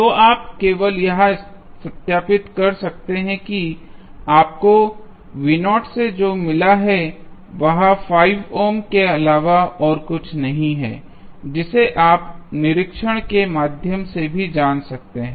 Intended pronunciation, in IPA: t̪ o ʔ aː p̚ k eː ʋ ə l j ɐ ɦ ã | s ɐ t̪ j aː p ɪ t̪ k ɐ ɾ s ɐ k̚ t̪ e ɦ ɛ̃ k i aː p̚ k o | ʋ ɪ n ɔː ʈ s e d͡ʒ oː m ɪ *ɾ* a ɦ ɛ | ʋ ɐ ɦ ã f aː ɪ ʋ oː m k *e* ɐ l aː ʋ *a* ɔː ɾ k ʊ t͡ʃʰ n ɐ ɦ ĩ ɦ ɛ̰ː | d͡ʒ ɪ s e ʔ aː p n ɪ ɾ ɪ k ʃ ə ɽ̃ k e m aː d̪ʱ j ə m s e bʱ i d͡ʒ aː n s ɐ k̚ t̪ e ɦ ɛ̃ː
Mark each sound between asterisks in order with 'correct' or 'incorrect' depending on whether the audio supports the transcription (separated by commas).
incorrect, correct, correct